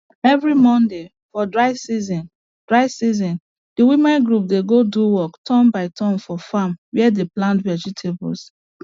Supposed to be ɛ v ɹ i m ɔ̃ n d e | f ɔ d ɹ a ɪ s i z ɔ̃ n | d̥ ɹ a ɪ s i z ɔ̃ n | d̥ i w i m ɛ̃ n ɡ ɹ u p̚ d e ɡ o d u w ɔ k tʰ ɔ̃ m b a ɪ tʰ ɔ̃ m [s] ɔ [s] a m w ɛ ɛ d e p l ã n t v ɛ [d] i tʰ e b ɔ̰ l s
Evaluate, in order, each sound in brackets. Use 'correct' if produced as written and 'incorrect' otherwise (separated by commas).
incorrect, incorrect, incorrect